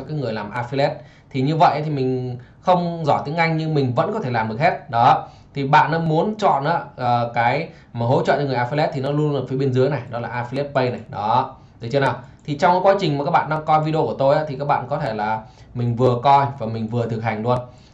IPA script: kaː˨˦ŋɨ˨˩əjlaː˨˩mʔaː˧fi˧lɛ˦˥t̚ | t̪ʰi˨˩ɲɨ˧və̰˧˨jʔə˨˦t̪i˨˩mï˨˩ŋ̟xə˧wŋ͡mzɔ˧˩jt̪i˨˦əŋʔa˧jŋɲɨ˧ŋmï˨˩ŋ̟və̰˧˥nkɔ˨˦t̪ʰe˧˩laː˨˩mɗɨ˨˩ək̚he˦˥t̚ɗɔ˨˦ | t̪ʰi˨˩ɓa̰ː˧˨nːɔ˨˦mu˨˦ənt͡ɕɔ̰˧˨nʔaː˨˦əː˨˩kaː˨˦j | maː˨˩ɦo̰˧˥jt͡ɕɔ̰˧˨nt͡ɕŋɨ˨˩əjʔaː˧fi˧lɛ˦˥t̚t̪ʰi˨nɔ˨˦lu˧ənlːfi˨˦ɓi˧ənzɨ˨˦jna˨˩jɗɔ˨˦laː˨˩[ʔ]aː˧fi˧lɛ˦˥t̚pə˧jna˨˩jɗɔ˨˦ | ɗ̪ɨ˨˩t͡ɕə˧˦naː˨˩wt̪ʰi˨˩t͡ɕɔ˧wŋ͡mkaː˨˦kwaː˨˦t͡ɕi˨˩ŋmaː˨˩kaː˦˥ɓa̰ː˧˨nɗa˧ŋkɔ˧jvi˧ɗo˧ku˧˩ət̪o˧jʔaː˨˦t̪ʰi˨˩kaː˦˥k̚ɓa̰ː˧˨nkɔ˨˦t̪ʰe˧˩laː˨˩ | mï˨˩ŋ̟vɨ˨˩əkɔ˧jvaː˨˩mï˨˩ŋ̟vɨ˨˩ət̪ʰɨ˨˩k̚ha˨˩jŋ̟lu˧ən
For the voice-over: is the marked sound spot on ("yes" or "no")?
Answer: yes